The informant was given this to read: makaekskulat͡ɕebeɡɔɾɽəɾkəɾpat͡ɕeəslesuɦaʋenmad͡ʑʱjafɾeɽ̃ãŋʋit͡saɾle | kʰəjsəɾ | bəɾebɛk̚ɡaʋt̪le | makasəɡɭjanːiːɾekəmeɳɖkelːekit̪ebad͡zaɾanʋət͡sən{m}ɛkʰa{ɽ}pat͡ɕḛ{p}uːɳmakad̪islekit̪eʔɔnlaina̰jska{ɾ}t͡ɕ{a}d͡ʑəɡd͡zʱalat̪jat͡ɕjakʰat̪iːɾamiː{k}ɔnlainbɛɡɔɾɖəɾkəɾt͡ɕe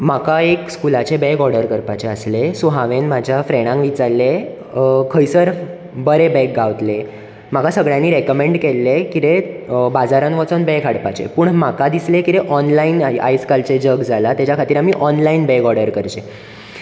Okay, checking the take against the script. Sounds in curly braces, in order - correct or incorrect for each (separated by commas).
incorrect, correct, correct, incorrect, incorrect, incorrect